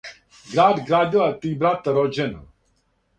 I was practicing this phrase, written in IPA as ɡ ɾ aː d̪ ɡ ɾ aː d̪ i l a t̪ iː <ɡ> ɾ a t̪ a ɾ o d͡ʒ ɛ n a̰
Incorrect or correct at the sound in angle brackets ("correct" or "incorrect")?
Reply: incorrect